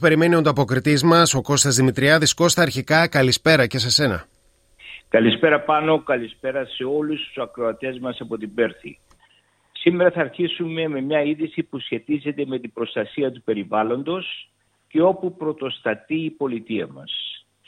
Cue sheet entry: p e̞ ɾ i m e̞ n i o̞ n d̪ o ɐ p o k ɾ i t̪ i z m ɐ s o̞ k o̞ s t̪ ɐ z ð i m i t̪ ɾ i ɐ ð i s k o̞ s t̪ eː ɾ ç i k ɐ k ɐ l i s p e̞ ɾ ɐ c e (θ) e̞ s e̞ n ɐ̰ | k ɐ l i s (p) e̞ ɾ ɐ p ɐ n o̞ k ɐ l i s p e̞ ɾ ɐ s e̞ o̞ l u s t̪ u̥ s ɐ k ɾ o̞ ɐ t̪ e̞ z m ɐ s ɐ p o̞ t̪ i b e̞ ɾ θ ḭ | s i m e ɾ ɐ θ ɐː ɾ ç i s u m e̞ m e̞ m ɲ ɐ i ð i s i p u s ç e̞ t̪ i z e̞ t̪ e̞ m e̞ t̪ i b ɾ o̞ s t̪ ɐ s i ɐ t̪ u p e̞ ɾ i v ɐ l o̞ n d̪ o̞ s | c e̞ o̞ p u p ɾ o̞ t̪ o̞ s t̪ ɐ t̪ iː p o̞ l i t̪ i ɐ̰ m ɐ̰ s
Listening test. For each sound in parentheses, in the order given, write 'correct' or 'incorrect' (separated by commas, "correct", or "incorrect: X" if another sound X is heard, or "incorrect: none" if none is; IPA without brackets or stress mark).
incorrect: s, correct